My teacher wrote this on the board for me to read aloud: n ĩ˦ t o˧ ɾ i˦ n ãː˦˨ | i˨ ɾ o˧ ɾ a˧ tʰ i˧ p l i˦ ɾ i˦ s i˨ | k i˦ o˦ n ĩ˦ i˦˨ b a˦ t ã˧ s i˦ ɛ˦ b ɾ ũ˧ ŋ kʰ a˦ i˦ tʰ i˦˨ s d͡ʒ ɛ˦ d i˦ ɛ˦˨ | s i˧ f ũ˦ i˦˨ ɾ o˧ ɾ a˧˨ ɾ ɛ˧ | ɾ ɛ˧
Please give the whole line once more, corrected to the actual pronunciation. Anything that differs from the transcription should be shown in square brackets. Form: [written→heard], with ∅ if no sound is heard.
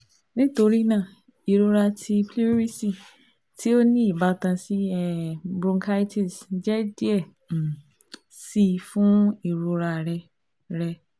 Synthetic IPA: n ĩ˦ t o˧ ɾ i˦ n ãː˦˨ | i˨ ɾ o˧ ɾ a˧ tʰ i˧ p l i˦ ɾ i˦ s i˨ | [k→t] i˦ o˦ n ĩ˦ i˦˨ b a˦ t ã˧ s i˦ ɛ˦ b ɾ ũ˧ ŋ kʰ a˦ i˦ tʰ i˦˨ s d͡ʒ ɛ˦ d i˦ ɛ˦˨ | s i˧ f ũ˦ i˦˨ ɾ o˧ ɾ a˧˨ ɾ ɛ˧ | ɾ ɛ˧